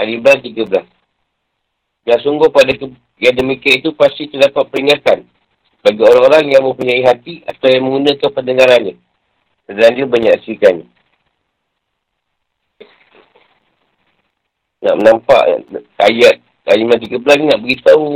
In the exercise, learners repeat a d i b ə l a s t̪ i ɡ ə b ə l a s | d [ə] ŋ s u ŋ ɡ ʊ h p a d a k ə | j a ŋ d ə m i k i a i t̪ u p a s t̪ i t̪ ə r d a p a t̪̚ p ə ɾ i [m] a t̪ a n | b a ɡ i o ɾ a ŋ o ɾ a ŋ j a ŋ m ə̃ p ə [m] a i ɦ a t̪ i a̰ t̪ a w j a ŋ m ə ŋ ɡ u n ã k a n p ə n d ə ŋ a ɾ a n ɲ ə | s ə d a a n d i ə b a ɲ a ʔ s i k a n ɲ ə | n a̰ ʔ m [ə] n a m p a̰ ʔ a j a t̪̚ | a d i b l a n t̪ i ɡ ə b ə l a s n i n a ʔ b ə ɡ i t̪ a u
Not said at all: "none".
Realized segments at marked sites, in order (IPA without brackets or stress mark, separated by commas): a, ŋ, ɲ, ə